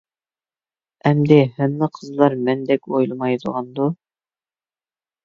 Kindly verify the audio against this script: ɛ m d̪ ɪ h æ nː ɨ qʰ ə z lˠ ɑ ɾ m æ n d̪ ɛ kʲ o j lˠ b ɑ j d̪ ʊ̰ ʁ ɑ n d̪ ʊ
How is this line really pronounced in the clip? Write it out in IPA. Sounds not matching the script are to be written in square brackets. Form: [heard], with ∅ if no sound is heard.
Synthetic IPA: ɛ m d̪ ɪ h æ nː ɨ qʰ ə z lˠ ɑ ɾ m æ n d̪ ɛ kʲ o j lˠ [m] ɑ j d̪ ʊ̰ ʁ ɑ n d̪ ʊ

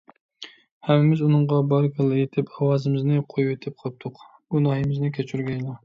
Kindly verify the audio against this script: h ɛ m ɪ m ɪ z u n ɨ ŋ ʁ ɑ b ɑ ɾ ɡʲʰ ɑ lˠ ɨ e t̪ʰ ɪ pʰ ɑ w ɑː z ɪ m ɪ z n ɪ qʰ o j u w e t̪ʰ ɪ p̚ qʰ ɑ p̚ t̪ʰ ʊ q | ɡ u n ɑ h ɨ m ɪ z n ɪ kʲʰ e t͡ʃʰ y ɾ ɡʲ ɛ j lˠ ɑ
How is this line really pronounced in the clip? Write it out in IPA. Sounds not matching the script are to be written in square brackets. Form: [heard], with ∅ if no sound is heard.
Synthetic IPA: h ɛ m ɪ m ɪ z u n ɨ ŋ ʁ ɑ b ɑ ɾ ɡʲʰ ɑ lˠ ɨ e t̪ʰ ɪ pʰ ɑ w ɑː z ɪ m ɪ z n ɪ qʰ o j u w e t̪ʰ ɪ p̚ qʰ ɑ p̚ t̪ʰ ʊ q | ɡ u n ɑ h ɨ m ɪ z n ɪ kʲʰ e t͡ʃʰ y ɾ ɡʲ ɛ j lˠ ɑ

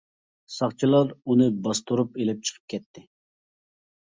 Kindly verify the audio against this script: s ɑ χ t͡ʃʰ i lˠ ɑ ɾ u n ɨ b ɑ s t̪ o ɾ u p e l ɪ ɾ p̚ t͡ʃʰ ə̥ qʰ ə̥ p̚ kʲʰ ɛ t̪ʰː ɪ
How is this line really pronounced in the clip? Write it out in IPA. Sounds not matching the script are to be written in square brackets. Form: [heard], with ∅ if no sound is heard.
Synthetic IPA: s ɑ χ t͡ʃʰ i lˠ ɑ ɾ u n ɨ b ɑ s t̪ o ɾ u p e l ɪ [∅] p̚ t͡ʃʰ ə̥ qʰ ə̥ p̚ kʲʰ ɛ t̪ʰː ɪ

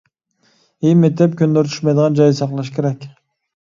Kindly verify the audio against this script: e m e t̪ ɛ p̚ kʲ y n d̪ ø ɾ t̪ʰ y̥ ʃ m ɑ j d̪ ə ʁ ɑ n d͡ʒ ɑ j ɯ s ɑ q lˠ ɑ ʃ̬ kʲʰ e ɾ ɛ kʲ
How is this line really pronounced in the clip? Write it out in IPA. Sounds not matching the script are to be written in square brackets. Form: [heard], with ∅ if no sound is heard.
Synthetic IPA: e m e t̪ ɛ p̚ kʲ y n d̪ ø ɾ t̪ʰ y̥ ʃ m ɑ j d̪ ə ʁ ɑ n d͡ʒ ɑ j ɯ s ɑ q lˠ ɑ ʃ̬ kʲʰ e ɾ ɛ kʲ

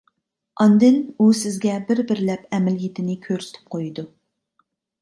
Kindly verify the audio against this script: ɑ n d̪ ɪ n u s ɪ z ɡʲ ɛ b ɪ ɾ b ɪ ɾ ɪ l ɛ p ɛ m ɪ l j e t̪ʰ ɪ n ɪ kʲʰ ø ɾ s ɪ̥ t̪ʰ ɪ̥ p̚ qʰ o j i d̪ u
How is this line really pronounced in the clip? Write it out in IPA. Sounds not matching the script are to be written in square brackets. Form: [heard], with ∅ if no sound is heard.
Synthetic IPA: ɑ n d̪ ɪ n u s ɪ z ɡʲ ɛ b ɪ ɾ b ɪ ɾ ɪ l ɛ p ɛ m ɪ l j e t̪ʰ ɪ n ɪ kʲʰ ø ɾ s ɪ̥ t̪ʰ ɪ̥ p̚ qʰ o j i d̪ u

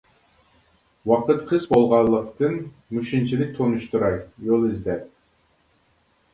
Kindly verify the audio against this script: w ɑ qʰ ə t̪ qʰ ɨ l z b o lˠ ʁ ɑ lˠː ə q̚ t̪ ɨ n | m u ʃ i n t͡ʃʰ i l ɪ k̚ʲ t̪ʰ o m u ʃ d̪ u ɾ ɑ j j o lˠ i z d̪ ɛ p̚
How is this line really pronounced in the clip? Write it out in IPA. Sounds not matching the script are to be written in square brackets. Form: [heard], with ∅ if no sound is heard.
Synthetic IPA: w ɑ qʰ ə t̪ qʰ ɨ [∅] z b o lˠ ʁ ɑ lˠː ə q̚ t̪ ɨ n | m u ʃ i n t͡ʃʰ i l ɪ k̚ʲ t̪ʰ o [n] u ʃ [t̪] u ɾ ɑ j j o lˠ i z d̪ ɛ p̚

